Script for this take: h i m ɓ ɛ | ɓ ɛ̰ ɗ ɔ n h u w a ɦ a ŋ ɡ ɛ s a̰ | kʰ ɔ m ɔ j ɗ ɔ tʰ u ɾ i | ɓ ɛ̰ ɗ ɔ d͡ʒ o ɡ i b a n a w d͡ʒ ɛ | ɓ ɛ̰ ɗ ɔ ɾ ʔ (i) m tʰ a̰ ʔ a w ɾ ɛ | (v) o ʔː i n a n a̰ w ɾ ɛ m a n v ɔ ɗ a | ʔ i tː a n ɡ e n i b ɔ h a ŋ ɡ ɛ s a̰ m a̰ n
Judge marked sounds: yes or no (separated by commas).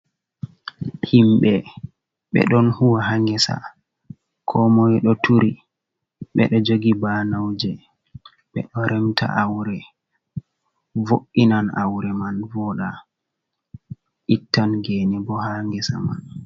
no, yes